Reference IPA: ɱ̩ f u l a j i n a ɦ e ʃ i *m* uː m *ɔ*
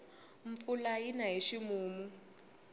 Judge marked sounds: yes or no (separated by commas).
yes, no